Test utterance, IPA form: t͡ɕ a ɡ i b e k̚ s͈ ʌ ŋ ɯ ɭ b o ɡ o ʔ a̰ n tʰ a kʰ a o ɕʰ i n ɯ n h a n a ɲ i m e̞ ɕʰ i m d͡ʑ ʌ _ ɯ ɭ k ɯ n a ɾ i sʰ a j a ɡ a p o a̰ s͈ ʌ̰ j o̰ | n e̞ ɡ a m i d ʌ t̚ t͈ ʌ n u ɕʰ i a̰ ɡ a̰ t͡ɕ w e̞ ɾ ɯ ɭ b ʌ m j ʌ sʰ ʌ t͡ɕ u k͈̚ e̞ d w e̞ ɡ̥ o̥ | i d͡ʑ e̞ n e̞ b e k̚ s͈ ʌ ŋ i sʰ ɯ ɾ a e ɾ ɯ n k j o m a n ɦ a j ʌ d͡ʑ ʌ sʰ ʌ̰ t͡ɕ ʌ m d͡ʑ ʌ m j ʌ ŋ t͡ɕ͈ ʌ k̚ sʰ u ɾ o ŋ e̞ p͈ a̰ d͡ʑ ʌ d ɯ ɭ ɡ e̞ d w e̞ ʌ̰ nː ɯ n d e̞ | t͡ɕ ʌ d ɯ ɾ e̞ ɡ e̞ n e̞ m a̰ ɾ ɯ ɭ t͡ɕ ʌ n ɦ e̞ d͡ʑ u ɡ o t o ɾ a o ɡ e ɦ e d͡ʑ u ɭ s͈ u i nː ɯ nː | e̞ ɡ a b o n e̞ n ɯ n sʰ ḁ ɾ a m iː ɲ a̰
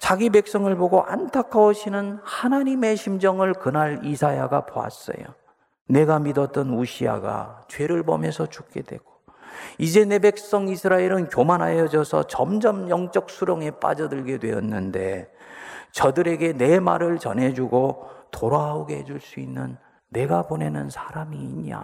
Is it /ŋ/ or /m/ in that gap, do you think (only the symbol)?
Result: ŋ